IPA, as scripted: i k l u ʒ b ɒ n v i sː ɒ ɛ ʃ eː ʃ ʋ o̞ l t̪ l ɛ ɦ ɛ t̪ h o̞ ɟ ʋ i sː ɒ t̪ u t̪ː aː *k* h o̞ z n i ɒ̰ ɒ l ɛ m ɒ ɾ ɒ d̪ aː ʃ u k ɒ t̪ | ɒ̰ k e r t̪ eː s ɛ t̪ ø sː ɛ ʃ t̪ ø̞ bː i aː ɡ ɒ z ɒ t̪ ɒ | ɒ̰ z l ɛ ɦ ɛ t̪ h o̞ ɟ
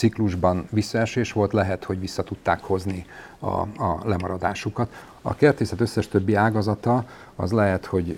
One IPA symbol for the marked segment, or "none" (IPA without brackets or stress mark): k